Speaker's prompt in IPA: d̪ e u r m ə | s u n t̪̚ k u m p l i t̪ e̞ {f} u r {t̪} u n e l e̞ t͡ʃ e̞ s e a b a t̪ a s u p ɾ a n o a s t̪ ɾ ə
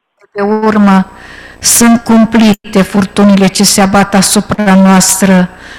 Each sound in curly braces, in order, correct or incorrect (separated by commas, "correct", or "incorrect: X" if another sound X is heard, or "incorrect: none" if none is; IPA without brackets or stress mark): correct, correct